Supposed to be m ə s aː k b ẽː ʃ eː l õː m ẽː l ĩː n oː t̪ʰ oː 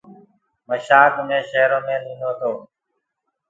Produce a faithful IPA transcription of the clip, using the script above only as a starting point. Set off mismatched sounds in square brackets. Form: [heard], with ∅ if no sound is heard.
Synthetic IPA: m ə [ʃ] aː k [m] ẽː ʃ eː [ɾ] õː m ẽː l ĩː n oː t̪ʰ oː